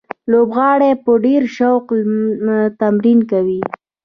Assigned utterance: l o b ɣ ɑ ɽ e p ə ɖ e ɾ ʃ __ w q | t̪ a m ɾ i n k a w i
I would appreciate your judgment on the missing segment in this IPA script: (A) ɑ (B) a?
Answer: B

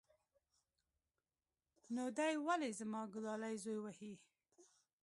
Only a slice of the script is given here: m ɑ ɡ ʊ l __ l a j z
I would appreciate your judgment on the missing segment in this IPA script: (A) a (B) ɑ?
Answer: B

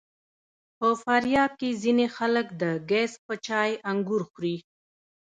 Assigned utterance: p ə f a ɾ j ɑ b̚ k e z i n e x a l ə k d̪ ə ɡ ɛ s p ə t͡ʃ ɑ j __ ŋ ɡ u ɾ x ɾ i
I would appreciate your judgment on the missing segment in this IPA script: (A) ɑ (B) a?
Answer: B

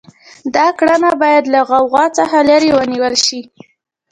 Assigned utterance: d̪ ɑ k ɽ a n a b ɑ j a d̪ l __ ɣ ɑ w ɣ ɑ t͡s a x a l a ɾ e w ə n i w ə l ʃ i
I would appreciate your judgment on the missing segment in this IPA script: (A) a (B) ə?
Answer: A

